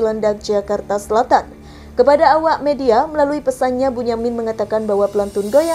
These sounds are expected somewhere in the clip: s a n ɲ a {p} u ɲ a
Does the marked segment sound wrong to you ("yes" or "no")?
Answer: yes